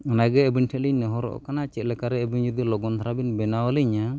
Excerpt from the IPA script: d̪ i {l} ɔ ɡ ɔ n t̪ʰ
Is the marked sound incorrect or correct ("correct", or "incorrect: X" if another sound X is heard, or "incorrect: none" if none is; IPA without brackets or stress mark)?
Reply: correct